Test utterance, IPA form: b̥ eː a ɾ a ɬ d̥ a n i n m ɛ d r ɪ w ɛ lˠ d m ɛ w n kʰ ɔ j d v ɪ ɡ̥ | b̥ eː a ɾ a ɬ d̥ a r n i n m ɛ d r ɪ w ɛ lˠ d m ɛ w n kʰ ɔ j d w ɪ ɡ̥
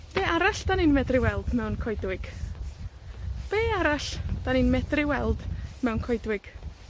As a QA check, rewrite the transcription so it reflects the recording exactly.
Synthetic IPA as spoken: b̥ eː a ɾ a ɬ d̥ a n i n m ɛ d r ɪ w ɛ lˠ d m ɛ w n kʰ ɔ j d w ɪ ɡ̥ | b̥ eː a ɾ a ɬ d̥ a n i n m ɛ d r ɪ w ɛ lˠ d m ɛ w n kʰ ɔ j d w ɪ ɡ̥